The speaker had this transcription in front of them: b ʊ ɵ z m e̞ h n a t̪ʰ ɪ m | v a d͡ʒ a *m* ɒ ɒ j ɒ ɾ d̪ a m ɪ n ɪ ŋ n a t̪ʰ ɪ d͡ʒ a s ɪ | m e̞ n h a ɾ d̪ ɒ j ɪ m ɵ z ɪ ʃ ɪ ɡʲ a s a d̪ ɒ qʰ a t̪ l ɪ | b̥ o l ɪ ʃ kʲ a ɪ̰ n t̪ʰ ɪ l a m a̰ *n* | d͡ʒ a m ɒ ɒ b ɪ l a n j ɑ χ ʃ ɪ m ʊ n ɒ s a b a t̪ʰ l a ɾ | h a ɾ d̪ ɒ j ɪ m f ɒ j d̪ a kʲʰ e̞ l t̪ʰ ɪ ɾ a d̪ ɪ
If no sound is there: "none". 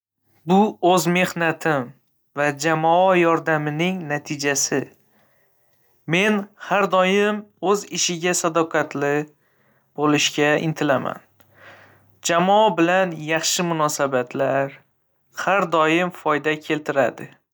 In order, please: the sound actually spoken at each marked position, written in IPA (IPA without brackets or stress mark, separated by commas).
m, n